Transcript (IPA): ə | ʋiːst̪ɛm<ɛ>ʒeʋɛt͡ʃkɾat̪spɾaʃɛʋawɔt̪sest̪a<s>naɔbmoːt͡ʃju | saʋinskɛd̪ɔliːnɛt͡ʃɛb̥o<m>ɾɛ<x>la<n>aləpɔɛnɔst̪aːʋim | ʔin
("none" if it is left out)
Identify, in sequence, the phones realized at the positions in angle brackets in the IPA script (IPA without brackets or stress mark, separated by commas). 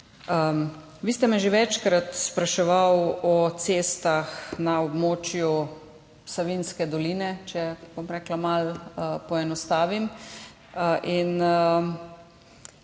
ɛ, x, m, k, m